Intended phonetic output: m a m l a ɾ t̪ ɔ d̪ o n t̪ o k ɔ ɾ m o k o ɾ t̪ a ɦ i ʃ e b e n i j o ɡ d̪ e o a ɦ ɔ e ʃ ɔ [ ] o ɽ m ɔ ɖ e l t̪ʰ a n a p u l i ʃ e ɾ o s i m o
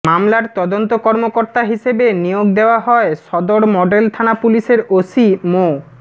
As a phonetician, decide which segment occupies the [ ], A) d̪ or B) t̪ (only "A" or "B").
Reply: A